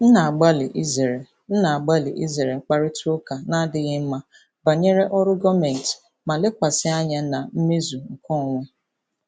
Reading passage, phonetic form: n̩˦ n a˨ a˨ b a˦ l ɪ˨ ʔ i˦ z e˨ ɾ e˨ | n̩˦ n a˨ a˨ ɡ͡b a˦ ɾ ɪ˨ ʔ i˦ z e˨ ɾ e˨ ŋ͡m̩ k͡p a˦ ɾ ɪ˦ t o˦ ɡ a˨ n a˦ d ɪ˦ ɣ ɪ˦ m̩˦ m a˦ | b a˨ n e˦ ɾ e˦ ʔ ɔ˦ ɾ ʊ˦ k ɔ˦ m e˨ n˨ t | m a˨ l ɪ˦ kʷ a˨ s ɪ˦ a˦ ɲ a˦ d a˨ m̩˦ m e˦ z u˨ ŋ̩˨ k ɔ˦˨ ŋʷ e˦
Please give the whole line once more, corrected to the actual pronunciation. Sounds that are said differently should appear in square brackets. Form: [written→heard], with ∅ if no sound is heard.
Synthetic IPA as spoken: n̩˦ n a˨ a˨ [b→ɡ͡b] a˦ l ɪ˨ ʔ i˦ z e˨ ɾ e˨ | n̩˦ n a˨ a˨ ɡ͡b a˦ [ɾ→l] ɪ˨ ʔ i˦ z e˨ ɾ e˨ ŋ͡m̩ k͡p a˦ ɾ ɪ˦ t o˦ [ɡ→k] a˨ n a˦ d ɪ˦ ɣ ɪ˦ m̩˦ m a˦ | b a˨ [n→ɲ] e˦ ɾ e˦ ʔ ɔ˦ ɾ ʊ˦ [k→ɡ] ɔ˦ m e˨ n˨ t | m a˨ l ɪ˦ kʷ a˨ s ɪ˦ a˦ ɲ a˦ [d→n] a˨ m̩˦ m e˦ z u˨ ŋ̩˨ k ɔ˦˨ ŋʷ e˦

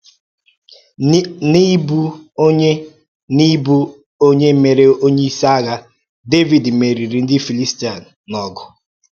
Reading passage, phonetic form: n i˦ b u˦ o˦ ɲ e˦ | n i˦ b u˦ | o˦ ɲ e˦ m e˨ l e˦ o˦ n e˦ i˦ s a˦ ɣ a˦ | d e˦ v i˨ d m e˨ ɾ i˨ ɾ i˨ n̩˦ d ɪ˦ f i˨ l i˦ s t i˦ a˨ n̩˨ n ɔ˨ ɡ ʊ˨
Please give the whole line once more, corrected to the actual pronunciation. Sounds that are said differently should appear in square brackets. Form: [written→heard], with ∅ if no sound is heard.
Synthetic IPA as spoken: n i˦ b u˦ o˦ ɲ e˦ | n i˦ b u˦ | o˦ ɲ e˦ m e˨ [l→ɾ] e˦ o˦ [n→ɲ] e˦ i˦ s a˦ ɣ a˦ | d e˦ v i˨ d m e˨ ɾ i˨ ɾ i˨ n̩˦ d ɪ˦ f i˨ l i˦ s t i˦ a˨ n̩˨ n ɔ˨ ɡ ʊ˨

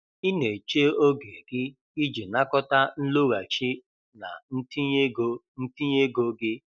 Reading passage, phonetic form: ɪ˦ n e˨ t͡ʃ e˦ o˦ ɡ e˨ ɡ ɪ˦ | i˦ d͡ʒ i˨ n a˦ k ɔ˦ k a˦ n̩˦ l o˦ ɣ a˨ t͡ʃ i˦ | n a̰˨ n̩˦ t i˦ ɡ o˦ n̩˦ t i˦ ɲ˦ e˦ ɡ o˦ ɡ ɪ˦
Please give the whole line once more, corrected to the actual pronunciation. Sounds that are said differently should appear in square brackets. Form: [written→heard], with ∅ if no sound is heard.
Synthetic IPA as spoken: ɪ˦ n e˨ t͡ʃ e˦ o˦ ɡ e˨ ɡ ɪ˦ | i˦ d͡ʒ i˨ n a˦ k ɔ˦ [k→t] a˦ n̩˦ l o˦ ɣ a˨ t͡ʃ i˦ | n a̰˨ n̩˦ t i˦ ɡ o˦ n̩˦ t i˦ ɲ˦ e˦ ɡ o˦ ɡ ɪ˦

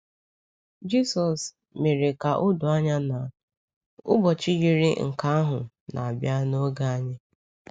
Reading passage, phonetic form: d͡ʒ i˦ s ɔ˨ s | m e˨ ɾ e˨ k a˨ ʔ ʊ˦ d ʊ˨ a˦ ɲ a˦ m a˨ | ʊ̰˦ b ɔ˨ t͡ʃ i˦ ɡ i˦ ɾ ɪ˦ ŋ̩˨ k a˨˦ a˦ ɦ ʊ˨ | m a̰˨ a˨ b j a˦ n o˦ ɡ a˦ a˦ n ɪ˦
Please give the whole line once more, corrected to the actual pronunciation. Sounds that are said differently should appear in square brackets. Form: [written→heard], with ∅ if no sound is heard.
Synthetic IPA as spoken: d͡ʒ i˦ s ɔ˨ s | m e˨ ɾ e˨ k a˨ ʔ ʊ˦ d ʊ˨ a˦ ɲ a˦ [m→n] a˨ | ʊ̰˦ b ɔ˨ t͡ʃ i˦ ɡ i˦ ɾ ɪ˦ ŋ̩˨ k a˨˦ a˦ ɦ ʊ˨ | [m→n] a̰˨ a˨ b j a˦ n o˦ ɡ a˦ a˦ [n→ɲ] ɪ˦

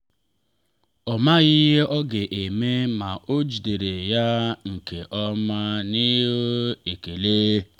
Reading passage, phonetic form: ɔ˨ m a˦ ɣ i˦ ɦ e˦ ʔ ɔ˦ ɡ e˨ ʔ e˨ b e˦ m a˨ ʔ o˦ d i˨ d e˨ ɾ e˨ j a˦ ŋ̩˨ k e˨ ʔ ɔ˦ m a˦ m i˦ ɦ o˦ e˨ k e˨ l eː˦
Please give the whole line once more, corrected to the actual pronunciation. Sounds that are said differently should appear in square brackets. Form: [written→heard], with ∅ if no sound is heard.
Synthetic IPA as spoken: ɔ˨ m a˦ ɣ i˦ ɦ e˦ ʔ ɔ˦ ɡ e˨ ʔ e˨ [b→m] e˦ m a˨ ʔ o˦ [d→d͡ʒ] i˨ d e˨ ɾ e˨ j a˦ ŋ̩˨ k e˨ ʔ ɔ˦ m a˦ [m→n] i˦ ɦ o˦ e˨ k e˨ l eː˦

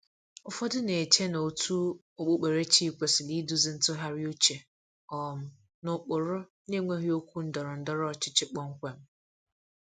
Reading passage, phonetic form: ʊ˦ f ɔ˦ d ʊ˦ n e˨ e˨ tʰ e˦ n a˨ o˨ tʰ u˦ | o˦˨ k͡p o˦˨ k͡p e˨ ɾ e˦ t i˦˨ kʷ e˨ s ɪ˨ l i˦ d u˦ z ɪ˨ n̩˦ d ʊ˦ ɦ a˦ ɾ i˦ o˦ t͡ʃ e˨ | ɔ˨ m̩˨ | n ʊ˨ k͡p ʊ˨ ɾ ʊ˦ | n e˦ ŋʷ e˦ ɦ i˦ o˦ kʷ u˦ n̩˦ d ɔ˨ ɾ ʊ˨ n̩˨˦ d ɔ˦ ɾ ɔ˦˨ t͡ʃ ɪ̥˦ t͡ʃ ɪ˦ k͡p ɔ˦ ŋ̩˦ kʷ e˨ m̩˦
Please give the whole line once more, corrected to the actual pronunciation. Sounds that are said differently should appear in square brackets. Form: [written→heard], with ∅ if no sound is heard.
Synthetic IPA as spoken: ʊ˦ f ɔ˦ d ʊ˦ n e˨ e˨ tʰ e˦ n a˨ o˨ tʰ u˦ | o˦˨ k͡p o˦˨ k͡p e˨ ɾ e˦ [t→t͡ʃ] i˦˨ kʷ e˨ s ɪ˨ l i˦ d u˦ z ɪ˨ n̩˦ [d→t] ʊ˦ ɦ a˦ ɾ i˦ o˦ t͡ʃ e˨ | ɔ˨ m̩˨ | n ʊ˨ k͡p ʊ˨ ɾ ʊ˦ | n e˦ ŋʷ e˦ ɦ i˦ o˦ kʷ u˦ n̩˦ d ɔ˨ ɾ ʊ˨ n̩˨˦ d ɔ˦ ɾ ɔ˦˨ t͡ʃ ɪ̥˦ t͡ʃ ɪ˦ k͡p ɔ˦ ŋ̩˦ kʷ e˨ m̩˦

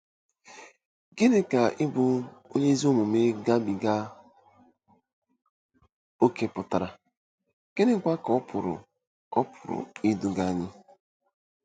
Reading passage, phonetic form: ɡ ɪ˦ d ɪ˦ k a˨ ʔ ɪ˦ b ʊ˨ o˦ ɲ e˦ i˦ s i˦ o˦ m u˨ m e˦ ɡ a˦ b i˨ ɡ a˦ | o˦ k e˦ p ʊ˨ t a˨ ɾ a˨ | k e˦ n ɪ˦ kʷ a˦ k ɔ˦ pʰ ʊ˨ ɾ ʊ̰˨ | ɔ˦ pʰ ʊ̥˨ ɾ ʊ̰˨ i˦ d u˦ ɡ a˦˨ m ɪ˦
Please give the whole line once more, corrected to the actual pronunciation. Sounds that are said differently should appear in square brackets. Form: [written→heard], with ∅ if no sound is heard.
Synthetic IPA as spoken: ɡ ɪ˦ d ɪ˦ k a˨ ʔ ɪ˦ b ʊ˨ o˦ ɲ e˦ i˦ [s→z] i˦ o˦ m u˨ m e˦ ɡ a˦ b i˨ ɡ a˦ | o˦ k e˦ p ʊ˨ t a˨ ɾ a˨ | k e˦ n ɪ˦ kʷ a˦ k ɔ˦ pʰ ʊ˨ ɾ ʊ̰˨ | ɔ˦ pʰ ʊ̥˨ ɾ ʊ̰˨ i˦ d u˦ ɡ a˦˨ [m→ɲ] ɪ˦

